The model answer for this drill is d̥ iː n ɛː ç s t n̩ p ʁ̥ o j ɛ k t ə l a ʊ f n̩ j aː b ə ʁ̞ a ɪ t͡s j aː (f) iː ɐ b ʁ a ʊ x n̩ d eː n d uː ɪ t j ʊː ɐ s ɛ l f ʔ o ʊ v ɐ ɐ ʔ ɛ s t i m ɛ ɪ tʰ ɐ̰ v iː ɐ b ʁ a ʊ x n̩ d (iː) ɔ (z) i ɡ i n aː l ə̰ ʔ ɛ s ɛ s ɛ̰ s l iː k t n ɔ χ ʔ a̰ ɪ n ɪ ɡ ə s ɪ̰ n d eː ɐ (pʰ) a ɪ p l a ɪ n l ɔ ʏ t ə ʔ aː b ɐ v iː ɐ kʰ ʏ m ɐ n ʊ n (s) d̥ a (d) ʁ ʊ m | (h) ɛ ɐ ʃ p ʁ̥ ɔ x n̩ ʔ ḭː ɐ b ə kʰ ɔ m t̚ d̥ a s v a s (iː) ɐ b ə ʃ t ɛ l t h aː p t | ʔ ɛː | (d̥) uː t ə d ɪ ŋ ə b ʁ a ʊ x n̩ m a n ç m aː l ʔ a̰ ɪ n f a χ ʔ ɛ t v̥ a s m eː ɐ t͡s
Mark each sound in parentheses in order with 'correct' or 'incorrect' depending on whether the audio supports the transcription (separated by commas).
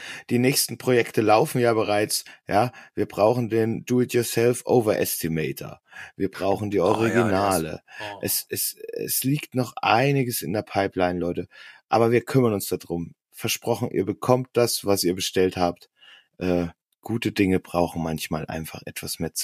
incorrect, correct, incorrect, correct, correct, correct, incorrect, correct, incorrect